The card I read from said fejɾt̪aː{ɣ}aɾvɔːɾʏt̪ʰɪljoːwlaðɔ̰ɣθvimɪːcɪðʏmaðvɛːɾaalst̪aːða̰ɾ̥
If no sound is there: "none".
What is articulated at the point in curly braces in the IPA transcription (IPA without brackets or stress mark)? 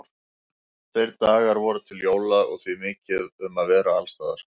ɣ